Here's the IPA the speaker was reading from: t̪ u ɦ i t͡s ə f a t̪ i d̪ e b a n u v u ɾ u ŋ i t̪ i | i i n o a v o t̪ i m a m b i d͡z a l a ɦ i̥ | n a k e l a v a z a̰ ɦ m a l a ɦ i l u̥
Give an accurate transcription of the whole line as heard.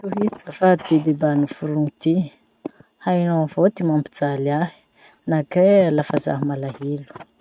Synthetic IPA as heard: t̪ u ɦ i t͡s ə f a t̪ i d̪ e b a n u f u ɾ u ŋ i t̪ i | a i n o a v o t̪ i m a m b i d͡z a l a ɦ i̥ | n a k e l a f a z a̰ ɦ m a l a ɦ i l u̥